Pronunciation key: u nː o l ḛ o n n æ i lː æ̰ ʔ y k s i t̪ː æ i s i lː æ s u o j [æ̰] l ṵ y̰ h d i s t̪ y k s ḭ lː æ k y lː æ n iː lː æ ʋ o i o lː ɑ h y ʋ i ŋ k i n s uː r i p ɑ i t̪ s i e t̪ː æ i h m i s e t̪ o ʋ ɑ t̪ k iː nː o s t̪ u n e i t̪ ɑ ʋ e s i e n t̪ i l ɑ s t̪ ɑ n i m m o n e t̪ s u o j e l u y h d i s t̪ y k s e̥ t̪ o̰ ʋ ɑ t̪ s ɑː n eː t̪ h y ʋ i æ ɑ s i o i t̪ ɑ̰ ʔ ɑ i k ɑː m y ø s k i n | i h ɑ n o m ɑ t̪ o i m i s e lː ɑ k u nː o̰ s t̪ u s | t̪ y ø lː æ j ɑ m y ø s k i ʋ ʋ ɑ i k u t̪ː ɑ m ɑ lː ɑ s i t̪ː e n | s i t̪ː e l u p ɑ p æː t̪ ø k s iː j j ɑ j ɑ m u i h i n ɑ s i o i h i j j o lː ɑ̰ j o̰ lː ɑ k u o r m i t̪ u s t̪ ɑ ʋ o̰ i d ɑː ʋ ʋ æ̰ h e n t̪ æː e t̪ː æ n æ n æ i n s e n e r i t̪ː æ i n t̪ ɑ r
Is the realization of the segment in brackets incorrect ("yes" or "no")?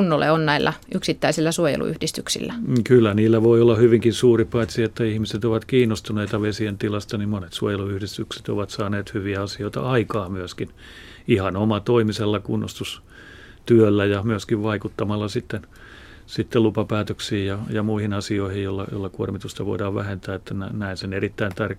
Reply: yes